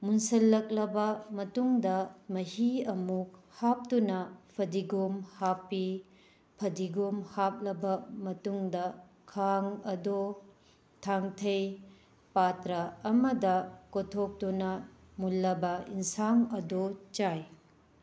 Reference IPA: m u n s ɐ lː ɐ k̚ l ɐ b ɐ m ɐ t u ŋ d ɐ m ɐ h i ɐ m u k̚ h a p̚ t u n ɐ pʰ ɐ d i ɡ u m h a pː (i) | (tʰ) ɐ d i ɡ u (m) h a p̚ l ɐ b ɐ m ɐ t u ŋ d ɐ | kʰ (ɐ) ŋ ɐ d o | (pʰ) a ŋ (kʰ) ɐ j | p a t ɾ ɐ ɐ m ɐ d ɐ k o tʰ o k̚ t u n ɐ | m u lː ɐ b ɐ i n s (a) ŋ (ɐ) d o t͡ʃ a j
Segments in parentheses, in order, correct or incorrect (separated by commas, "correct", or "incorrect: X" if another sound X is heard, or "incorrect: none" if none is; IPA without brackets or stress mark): correct, incorrect: pʰ, correct, incorrect: a, incorrect: tʰ, incorrect: tʰ, correct, correct